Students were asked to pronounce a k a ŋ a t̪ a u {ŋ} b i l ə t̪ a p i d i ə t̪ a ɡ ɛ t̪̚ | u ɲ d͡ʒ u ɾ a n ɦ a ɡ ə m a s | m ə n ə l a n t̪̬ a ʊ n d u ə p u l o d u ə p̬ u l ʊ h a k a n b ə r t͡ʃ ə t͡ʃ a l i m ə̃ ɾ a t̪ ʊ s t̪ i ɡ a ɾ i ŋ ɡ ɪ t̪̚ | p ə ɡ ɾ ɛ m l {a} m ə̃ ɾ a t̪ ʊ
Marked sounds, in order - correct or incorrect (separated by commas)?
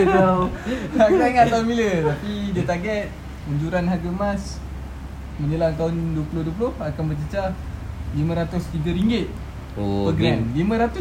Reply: incorrect, incorrect